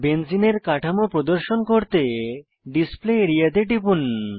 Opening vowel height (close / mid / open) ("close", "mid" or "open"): mid